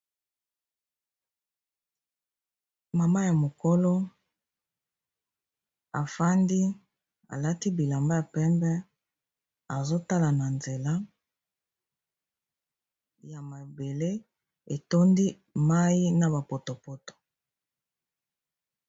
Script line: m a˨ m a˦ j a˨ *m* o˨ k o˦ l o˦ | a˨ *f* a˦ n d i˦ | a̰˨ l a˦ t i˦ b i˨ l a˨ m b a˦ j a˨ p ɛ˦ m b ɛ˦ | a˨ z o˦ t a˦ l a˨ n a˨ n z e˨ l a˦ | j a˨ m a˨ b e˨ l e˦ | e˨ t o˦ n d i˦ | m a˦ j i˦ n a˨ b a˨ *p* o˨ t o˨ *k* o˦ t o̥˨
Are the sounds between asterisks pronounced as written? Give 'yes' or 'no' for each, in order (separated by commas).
yes, yes, yes, no